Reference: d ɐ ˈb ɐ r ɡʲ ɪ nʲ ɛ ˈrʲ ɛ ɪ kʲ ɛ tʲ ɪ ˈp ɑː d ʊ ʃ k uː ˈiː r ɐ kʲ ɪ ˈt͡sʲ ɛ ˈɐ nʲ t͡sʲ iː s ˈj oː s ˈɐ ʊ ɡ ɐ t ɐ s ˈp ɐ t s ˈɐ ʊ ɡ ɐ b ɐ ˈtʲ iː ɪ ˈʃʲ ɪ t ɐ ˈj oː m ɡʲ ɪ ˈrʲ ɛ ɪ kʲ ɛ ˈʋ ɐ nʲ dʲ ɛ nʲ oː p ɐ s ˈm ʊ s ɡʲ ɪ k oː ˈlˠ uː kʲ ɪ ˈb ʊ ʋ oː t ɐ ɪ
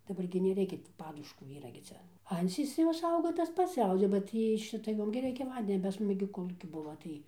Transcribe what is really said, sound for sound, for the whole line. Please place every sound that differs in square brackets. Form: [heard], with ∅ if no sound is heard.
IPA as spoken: d ɐ ˈb ɐ r ɡʲ ɪ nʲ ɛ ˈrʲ ɛ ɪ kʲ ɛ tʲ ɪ ˈp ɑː d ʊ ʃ k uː ˈiː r ɐ [ɡʲ] ɪ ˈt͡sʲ ɛ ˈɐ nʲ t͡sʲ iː s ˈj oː s ˈɐ ʊ ɡ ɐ t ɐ s ˈp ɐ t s ˈɐ ʊ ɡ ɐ b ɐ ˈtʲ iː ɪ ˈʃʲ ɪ t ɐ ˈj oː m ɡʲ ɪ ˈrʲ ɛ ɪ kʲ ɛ ˈʋ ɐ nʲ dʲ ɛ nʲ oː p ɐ s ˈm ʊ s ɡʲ ɪ k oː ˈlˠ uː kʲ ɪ ˈb ʊ ʋ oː t ɐ ɪ